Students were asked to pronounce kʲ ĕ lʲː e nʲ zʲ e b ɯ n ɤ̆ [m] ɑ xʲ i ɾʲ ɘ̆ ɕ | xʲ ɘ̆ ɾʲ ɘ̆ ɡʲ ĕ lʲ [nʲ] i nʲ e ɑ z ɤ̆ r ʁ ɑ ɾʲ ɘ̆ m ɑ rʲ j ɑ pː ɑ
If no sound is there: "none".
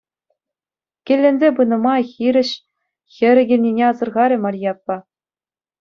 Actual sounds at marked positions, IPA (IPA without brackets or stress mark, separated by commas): m, nʲ